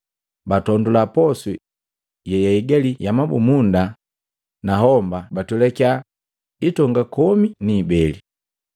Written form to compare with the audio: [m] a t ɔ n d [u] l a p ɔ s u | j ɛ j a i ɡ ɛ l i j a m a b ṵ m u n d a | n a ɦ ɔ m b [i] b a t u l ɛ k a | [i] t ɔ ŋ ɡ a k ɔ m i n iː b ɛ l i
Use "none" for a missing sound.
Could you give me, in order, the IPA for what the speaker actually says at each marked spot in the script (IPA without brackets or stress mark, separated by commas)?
b, u, a, i